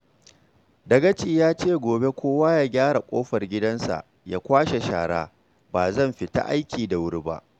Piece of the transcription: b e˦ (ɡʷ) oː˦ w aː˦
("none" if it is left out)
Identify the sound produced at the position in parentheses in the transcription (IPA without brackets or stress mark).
kʷ